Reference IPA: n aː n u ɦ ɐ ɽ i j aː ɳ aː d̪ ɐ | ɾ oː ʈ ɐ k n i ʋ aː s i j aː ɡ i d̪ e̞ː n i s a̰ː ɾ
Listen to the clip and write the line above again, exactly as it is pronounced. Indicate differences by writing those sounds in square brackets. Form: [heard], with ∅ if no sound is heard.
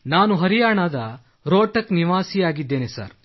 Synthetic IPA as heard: n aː n u ɦ ɐ [ɾ] i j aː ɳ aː d̪ ɐ | ɾ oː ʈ ɐ k n i ʋ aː s i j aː ɡ i [d̪ː] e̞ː n [e] s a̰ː ɾ